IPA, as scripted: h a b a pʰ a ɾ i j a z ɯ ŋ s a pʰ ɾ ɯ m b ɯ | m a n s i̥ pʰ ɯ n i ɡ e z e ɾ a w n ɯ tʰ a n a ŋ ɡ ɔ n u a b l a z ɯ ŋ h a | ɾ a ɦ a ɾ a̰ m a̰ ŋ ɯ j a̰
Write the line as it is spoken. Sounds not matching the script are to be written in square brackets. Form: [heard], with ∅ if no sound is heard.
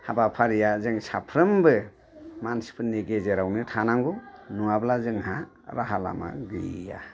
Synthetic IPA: h a b a pʰ a ɾ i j a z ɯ ŋ s a pʰ ɾ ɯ m b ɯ | m a n s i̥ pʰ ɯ n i ɡ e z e ɾ a w n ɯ tʰ a n a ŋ ɡ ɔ n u a b l a z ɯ ŋ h a | ɾ a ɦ a [l] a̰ m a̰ [ɡ] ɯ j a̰